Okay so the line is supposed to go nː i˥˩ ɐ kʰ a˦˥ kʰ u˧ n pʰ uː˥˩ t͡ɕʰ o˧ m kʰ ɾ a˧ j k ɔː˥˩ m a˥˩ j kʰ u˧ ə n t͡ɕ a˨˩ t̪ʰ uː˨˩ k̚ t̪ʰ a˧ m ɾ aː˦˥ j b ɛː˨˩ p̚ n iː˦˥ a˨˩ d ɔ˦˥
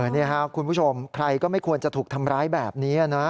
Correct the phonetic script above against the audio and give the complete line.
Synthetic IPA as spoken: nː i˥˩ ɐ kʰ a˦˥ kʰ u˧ n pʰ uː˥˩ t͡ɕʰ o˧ m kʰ ɾ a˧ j k ɔː˥˩ m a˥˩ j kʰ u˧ ə n t͡ɕ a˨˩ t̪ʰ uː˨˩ k̚ t̪ʰ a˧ m ɾ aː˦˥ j b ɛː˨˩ p̚ n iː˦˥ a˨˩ n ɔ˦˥